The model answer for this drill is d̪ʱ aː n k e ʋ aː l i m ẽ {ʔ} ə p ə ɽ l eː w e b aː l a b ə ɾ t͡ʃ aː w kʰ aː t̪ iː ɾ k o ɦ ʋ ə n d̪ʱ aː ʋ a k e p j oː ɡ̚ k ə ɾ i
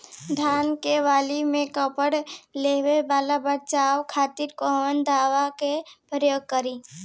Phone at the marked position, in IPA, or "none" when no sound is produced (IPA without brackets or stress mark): k